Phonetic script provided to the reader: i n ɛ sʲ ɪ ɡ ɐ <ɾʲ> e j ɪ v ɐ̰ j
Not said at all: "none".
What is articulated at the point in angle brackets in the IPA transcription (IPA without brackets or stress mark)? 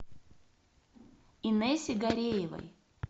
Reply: ɾʲ